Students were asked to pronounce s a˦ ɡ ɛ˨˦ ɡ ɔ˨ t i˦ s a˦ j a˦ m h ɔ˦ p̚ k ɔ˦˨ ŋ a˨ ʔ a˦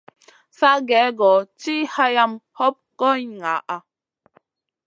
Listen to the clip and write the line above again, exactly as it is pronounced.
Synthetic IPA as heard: s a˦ ɡ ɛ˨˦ ɡ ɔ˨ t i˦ h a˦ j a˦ m h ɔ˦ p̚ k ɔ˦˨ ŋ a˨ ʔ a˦